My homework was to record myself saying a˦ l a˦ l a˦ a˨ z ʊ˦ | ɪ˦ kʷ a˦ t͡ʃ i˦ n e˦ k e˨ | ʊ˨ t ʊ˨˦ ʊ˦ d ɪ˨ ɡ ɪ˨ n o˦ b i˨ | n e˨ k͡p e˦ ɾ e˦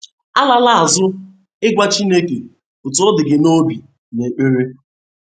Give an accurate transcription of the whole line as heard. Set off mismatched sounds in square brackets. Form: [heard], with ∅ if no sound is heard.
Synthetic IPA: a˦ l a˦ l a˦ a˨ z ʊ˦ | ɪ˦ [ɡʷ] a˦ t͡ʃ i˦ n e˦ k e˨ | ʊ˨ t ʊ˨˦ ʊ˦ d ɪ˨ ɡ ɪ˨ n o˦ b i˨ | n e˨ k͡p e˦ ɾ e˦

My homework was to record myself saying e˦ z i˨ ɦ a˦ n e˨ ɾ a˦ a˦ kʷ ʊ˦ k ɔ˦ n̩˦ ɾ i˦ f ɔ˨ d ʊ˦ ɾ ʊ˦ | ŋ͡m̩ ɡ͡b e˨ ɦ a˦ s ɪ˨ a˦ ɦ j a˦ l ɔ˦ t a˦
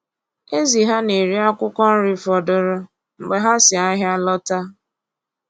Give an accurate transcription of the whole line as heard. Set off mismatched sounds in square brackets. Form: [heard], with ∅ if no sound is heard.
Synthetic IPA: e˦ z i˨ ɦ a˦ n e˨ ɾ [i˦] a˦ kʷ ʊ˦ k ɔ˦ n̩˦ ɾ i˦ f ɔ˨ d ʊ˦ ɾ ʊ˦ | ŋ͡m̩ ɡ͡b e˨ ɦ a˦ s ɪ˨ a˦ ɦ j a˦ l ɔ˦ t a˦

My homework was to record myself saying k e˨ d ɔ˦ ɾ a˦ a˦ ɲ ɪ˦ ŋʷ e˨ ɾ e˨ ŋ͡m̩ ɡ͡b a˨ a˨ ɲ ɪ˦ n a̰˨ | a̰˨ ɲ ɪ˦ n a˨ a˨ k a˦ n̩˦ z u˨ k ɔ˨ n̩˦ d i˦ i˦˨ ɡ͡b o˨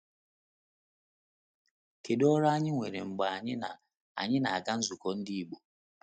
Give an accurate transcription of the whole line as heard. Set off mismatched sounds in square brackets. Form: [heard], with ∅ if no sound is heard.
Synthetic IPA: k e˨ d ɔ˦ ɾ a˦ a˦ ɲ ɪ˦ ŋʷ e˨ ɾ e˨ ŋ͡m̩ ɡ͡b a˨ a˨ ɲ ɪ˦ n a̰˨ | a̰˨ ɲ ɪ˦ n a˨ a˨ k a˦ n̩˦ z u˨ k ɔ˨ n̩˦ d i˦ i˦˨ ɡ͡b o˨

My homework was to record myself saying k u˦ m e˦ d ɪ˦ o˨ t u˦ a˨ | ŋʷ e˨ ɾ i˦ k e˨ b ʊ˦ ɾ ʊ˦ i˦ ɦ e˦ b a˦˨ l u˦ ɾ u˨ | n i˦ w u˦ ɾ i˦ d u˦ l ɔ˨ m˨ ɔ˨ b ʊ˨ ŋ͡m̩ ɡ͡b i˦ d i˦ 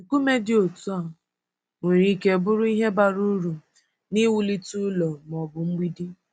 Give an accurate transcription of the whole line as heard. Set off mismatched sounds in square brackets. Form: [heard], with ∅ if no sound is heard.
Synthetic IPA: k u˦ m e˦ d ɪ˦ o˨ t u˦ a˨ | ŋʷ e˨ ɾ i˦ k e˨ b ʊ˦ ɾ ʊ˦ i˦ ɦ e˦ b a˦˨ [ɾ] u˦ ɾ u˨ | n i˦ w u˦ [l] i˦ [t] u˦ l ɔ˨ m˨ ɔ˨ b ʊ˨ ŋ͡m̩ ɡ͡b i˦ d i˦

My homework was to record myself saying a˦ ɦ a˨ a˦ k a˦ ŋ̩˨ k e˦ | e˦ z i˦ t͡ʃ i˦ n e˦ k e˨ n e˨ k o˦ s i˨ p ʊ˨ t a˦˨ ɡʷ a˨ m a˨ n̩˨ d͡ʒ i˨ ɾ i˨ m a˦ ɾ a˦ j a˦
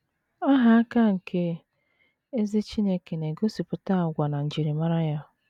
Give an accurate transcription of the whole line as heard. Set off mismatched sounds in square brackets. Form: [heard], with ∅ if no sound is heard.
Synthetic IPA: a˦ ɦ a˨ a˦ k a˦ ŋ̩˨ k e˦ | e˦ z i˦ t͡ʃ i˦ n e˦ k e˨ n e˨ [ɡ] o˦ s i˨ p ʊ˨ t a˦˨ ɡʷ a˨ [n] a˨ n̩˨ d͡ʒ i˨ ɾ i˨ m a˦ ɾ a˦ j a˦

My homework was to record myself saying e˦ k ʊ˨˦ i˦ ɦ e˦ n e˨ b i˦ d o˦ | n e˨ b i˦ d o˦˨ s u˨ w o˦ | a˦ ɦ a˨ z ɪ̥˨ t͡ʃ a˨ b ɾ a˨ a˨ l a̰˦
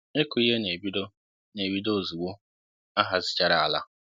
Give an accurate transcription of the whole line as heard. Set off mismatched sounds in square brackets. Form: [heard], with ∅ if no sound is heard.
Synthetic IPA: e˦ k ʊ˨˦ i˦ ɦ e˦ n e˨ b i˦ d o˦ | n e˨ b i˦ d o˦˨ [z] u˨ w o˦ | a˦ ɦ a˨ z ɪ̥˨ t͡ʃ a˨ [∅] ɾ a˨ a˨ l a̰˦

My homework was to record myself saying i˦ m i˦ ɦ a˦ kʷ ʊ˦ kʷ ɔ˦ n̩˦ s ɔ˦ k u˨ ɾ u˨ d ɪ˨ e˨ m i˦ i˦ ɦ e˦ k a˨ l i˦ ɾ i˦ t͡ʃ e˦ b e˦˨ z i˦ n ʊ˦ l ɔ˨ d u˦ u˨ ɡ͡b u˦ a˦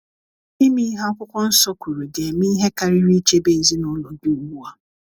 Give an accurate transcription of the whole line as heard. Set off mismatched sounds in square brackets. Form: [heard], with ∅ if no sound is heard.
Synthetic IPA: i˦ m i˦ ɦ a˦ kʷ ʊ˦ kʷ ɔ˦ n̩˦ s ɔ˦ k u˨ ɾ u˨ d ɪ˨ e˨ m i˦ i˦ ɦ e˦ k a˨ [ɾ] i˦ ɾ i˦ t͡ʃ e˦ b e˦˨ z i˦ n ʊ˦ l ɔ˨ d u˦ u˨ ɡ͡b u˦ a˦

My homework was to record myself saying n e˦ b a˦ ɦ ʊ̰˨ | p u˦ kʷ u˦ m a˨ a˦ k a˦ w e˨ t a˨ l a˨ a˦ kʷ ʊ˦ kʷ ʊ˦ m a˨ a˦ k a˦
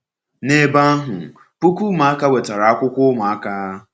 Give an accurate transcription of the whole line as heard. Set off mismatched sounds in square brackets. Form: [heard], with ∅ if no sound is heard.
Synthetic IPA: n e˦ b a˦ ɦ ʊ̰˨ | p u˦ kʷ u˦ m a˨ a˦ k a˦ w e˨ t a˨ [ɾ] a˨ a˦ kʷ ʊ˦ kʷ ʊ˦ m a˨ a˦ k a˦

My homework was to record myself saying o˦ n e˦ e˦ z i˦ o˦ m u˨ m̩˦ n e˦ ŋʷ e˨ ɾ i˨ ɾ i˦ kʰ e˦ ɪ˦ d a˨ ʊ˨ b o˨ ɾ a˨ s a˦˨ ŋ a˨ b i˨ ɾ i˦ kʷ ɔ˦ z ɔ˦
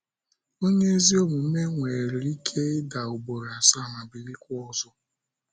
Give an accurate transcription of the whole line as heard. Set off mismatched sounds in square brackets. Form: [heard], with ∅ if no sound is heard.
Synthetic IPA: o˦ [ɲ] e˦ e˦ z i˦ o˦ m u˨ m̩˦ [m] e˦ ŋʷ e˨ ɾ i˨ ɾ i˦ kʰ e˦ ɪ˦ d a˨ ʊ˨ b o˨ ɾ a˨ s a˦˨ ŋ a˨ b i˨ ɾ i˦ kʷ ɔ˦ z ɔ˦

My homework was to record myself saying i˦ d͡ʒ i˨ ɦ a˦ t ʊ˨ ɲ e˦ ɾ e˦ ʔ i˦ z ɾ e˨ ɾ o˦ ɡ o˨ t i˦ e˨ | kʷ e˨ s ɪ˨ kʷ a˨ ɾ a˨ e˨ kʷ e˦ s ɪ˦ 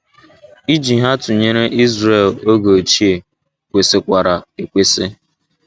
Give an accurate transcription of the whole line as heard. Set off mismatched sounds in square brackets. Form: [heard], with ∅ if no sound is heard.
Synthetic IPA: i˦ d͡ʒ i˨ ɦ a˦ t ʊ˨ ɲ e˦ ɾ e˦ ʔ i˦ z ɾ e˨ [l] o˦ ɡ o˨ [t͡ʃ] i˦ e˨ | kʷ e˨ s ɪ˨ kʷ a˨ ɾ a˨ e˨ kʷ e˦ s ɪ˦

